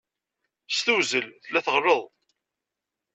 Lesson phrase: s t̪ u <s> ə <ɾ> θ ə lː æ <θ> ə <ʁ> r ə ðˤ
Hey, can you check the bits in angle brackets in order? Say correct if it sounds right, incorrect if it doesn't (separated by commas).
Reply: incorrect, incorrect, correct, correct